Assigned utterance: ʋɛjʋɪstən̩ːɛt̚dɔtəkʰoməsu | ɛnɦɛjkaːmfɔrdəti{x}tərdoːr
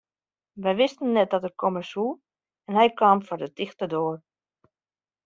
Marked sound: correct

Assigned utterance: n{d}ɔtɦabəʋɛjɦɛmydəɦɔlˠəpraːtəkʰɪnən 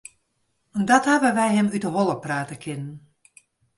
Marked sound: correct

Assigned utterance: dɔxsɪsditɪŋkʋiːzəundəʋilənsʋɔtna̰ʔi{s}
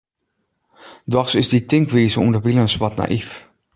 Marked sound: incorrect: f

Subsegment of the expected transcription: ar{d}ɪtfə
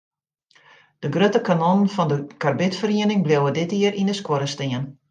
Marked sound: incorrect: b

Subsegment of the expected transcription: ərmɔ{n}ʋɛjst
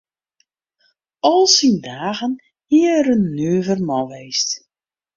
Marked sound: incorrect: none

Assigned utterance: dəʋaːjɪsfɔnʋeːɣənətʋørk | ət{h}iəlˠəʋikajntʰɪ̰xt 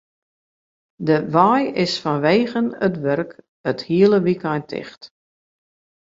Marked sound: correct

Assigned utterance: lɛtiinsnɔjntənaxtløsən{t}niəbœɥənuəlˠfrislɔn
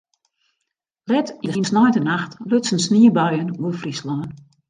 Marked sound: incorrect: s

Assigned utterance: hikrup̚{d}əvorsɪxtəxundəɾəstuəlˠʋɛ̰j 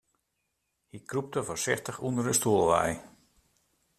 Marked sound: incorrect: t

